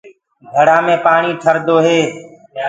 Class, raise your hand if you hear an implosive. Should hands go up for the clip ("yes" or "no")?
no